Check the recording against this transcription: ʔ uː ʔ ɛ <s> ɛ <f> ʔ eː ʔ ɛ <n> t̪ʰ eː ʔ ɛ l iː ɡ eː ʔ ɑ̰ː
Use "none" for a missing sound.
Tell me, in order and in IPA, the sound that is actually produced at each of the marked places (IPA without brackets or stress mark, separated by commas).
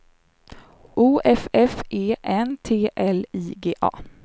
f, f, n